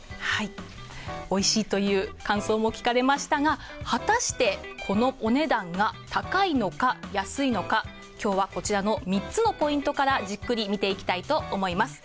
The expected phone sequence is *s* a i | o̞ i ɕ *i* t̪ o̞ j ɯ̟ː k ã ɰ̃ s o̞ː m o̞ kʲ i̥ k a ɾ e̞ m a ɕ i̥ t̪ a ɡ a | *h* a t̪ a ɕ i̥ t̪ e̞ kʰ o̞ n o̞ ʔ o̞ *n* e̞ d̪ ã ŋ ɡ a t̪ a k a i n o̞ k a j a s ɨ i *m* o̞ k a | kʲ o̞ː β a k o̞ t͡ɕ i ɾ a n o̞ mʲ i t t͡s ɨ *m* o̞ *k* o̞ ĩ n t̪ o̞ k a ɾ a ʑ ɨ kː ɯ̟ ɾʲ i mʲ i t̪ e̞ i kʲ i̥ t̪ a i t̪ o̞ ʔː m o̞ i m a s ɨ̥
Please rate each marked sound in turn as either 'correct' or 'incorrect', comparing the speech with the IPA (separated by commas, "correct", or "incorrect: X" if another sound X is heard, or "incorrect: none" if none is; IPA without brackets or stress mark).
incorrect: h, incorrect: iː, correct, correct, incorrect: n, incorrect: n, incorrect: p